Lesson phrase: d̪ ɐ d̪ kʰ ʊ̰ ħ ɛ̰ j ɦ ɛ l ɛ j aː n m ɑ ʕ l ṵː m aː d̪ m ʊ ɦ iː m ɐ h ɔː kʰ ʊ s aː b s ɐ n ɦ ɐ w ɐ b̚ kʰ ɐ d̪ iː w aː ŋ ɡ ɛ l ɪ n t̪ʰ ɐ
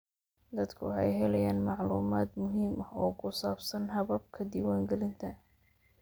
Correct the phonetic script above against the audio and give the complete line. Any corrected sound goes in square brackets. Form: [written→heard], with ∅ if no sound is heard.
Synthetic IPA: d̪ ɐ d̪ kʰ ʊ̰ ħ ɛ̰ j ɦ ɛ l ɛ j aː n m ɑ ʕ l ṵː m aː d̪ m ʊ ɦ iː m ɐ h ɔː kʰ ʊ s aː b s ɐ n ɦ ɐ [w→β] ɐ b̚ kʰ ɐ d̪ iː w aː ŋ ɡ ɛ l ɪ n t̪ʰ ɐ